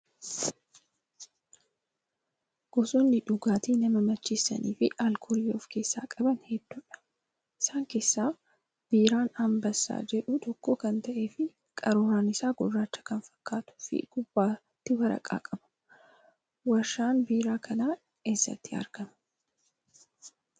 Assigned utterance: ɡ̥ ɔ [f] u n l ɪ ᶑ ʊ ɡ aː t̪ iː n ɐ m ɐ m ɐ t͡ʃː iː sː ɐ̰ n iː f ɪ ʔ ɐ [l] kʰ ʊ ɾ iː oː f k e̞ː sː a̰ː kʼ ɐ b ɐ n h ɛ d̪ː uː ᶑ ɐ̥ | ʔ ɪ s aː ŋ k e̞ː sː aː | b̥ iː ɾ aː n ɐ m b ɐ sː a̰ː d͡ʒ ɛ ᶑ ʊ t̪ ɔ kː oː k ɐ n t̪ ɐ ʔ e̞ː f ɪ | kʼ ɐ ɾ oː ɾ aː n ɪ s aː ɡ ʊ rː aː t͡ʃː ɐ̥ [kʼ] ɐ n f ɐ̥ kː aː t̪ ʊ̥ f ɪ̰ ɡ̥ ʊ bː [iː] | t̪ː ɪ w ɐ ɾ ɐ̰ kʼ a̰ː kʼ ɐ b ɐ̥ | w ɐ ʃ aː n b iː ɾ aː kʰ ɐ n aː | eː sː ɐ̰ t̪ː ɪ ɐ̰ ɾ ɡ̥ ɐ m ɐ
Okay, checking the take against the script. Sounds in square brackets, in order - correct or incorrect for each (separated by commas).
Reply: incorrect, correct, incorrect, incorrect